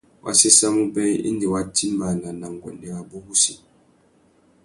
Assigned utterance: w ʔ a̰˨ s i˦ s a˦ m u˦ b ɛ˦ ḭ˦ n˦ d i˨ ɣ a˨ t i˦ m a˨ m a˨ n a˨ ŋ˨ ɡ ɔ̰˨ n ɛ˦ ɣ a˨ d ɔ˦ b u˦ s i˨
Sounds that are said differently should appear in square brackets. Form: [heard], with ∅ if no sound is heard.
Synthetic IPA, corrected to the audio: w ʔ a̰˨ s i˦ s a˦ m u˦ b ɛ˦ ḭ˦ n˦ d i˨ [w] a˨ t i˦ m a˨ [n] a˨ n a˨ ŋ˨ ɡ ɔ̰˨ n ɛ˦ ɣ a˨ [b] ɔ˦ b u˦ s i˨

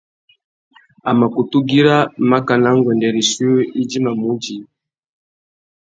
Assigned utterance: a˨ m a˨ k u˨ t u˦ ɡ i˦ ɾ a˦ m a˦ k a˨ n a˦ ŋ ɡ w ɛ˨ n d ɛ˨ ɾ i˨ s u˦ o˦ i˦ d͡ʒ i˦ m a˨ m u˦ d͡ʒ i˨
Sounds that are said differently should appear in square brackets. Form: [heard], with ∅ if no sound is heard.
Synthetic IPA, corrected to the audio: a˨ m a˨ k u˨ t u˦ ɡ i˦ ɾ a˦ m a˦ k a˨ n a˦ ŋ ɡ w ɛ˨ n d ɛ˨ ɾ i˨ s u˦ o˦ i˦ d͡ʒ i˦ m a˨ m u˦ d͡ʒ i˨

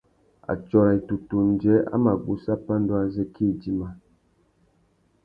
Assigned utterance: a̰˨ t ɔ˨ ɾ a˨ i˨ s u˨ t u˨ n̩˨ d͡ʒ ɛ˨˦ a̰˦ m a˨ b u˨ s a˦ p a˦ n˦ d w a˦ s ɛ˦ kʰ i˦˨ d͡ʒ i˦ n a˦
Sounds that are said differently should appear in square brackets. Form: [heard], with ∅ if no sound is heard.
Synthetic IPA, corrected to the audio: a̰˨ [t͡ʃ] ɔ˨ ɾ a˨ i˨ [t] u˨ t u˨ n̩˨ d͡ʒ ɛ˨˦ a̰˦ m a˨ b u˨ s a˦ p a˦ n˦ d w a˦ [z] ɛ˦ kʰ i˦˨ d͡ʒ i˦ [m] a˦

